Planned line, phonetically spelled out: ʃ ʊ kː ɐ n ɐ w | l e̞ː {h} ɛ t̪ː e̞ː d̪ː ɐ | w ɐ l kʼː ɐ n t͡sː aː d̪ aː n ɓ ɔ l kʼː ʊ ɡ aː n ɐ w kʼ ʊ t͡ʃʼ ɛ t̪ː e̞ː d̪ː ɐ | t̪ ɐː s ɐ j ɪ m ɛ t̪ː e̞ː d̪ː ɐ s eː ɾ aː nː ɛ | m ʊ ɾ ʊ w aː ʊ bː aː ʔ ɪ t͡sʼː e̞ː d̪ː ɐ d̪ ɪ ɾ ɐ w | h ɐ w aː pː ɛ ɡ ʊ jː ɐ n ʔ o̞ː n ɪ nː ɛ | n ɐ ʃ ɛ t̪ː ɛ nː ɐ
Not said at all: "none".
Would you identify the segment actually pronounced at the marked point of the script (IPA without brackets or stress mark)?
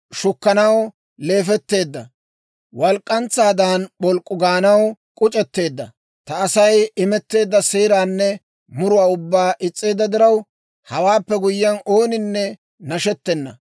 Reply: f